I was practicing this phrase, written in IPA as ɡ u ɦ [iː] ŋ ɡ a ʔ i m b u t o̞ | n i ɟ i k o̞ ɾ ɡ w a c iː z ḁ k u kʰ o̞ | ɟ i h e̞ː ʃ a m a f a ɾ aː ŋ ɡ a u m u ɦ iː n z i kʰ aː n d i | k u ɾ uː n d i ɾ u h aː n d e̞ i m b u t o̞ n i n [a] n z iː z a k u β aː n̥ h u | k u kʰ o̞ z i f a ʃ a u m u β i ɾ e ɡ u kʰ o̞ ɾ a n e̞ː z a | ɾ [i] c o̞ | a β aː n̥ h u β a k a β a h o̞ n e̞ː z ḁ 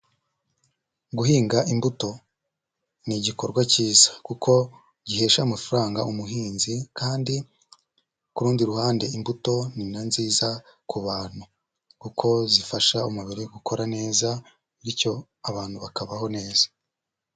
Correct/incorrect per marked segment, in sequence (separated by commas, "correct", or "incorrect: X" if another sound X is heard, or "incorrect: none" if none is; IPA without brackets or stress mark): correct, correct, correct